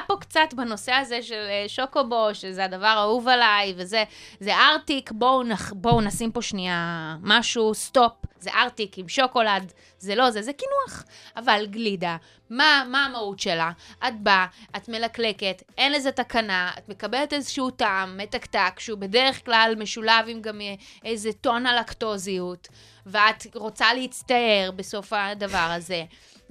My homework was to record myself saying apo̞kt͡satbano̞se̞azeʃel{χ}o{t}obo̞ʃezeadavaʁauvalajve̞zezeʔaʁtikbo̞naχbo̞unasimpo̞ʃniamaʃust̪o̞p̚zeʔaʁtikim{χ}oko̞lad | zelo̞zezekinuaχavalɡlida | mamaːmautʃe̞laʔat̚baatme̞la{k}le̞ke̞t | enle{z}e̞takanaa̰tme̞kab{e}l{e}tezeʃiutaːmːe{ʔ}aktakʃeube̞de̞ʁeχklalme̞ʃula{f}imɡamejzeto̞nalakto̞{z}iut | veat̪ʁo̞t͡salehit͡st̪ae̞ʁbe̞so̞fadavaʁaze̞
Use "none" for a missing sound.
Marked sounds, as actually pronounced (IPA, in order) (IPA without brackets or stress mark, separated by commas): ʃ, k, ʃ, k, z, e, e, t, v, z